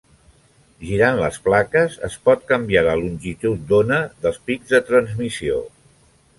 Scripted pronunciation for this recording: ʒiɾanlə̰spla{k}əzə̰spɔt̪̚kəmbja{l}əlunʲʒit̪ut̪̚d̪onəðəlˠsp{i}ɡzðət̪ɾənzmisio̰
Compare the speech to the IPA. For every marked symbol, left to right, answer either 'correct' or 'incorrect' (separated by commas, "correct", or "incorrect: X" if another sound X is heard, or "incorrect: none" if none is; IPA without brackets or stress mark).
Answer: correct, correct, correct